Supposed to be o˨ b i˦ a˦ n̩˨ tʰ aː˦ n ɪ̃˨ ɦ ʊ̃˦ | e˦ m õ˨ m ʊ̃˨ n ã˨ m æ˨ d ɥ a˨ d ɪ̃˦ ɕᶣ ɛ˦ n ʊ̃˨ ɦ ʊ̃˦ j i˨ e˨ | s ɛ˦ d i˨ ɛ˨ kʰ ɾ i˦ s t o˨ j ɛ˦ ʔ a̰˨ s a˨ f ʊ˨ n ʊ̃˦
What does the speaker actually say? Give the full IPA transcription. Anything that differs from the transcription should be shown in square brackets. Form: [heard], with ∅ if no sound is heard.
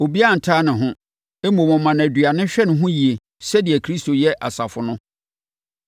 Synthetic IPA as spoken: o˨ b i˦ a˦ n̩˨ tʰ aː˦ n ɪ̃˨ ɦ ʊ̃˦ | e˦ m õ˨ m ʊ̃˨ [m] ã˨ [n] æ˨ d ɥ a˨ [n] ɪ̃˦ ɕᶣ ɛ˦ n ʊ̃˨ ɦ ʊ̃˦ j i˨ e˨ | s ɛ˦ d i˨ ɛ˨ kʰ ɾ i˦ s t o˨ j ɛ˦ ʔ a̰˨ s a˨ f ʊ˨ n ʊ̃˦